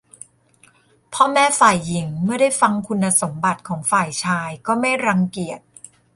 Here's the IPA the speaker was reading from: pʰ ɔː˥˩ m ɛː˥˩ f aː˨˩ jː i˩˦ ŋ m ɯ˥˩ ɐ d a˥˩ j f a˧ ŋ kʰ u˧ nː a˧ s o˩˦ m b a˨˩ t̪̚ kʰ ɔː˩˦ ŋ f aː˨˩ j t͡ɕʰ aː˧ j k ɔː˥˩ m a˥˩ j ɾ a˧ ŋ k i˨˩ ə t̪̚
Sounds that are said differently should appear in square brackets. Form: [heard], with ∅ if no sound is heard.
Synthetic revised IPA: pʰ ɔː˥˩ m ɛː˥˩ f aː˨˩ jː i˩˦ ŋ m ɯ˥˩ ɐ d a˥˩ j f a˧ ŋ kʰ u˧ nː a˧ s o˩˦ m b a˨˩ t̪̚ kʰ ɔː˩˦ ŋ f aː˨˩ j t͡ɕʰ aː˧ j k ɔː˥˩ m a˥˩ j ɾ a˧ ŋ k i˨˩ ə t̪̚